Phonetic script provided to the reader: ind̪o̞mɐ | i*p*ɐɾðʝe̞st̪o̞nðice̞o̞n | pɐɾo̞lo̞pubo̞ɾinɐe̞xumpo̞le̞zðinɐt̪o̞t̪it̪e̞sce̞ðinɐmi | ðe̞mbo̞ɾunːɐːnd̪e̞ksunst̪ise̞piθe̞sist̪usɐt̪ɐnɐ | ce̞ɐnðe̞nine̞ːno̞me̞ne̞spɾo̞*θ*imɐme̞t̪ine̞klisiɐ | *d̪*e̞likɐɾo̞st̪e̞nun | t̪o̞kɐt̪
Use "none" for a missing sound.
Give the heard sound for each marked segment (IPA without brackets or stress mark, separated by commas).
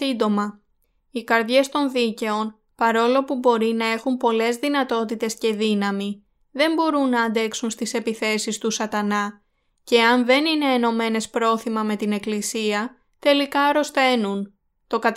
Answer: k, θ, t̪